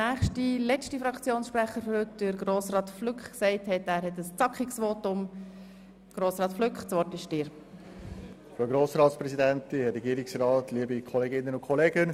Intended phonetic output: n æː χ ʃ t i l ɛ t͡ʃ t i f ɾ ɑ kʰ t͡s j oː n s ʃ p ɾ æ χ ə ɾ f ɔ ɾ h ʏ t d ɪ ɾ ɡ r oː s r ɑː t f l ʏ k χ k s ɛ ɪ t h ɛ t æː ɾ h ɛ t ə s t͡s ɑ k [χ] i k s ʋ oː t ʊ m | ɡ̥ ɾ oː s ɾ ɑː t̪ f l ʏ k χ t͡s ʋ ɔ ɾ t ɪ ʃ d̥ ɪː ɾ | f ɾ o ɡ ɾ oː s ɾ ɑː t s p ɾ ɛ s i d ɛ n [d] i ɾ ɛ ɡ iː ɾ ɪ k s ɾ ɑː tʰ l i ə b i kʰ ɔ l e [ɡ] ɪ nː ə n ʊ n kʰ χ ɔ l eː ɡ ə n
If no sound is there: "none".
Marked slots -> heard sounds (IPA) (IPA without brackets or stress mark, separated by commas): χ, t, ɡ